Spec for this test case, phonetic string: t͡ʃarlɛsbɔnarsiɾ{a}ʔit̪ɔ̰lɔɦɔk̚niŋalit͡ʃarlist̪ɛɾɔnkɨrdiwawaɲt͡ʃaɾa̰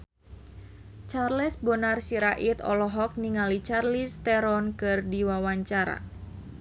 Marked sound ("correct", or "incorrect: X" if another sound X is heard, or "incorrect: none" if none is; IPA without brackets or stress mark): correct